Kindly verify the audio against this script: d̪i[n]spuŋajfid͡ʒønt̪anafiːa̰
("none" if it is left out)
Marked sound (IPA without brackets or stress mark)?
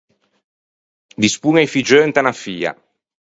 none